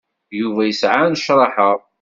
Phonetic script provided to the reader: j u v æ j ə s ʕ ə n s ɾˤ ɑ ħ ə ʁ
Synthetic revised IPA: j u v æ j ə s ʕ a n ʃ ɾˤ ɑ ħ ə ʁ